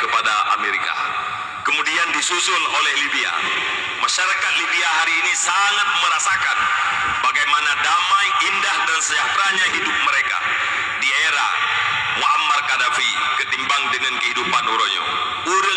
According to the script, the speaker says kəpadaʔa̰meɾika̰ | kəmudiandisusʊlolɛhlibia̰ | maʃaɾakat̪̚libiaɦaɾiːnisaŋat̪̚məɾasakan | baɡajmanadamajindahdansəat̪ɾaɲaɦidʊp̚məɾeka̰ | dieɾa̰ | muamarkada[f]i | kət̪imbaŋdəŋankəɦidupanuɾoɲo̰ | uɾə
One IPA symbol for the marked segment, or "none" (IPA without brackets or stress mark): f